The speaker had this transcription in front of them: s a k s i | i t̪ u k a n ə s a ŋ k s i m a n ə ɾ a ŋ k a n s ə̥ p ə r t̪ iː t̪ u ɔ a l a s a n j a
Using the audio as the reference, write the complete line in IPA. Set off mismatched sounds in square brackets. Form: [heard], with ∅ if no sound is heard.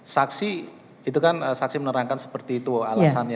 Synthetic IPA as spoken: s a k s i | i t̪ u k a n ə s a [∅] k s i m [ə] n ə ɾ a ŋ k a n s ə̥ p ə r t̪ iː t̪ u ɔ a l a s a n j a